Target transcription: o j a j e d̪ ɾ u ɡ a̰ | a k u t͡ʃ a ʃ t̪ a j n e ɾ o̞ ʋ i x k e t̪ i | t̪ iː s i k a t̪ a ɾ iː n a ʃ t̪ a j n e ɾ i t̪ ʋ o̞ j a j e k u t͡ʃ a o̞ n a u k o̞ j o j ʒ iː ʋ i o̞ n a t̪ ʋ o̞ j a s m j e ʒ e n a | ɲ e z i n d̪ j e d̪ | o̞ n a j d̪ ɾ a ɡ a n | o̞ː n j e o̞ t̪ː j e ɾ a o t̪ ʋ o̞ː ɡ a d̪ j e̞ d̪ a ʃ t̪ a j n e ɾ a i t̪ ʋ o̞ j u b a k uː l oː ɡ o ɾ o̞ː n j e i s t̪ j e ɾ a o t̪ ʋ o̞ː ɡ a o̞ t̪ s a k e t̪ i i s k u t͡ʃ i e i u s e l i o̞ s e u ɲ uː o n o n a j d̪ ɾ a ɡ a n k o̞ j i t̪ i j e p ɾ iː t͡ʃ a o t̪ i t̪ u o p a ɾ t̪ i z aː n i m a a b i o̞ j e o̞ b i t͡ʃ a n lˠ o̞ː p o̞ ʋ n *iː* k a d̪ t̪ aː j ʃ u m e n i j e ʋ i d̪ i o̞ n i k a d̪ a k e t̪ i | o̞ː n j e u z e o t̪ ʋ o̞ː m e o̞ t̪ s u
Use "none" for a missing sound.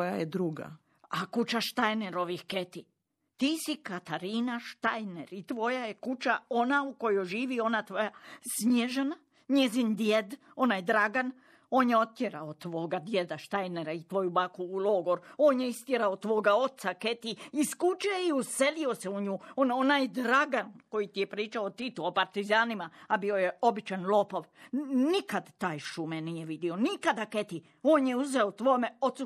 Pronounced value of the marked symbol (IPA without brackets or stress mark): i